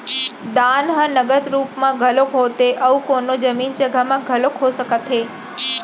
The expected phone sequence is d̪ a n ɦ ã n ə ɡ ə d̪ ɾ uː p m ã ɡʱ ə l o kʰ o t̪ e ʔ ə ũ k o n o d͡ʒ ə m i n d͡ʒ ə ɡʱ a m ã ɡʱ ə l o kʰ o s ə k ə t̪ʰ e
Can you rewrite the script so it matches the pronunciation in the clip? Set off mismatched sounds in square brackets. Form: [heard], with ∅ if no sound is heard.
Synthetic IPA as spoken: d̪ a n ɦ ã n ə ɡ ə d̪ ɾ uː p m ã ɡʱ ə l o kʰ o t̪ e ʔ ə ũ k o n o d͡ʒ ə m i n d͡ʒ ə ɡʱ a m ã ɡʱ ə l o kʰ o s ə k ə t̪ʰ e